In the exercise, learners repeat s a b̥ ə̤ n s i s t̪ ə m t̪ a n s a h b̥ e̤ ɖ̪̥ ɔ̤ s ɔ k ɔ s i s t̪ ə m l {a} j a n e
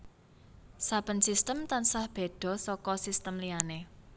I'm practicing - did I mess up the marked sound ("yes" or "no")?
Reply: yes